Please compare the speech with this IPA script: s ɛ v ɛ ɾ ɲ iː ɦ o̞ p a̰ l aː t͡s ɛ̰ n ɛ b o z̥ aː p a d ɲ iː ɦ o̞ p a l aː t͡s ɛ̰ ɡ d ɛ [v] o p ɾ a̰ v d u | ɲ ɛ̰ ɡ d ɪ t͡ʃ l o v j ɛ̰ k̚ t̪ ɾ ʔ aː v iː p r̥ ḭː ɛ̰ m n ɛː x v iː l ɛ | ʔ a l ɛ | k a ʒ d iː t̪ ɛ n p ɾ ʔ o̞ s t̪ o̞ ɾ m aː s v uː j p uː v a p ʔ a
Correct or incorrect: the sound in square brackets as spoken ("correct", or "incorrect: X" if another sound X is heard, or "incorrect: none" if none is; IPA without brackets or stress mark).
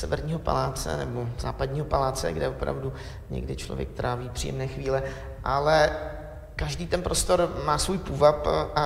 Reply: correct